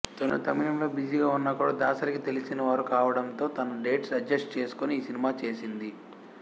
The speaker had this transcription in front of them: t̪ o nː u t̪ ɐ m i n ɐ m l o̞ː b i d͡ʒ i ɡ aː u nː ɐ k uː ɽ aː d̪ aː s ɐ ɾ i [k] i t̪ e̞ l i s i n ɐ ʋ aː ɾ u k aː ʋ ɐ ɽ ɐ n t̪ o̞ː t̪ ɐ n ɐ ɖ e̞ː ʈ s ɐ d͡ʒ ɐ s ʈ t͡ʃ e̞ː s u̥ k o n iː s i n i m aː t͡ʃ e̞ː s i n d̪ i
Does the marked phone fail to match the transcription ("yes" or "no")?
no